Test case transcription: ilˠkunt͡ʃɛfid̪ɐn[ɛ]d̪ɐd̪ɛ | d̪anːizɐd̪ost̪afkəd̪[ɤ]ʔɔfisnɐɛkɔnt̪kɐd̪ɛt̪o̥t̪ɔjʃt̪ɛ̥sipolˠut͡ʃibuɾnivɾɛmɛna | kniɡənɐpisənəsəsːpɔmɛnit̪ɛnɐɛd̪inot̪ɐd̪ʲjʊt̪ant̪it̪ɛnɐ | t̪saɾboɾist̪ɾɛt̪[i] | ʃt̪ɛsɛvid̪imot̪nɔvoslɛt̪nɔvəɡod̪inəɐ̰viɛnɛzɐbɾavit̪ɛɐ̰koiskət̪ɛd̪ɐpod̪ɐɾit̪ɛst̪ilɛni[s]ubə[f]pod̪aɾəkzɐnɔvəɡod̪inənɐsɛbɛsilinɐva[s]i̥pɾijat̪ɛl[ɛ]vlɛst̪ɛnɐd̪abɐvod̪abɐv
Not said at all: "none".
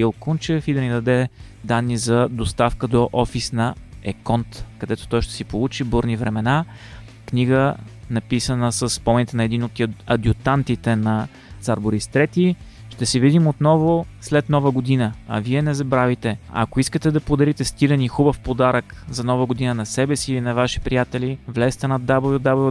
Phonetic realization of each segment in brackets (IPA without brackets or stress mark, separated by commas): i, o, i, x, f, ʃ, i